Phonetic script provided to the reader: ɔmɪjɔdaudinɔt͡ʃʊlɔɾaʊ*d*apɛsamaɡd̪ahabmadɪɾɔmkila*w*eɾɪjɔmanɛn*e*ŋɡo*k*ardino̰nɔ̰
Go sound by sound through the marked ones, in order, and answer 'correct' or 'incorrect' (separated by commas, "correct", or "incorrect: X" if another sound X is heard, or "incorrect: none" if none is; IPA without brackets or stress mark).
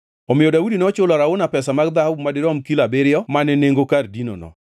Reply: incorrect: n, incorrect: b, correct, correct